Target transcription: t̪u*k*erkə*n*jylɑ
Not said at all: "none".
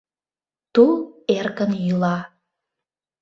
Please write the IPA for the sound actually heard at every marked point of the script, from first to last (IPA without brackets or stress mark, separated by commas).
none, n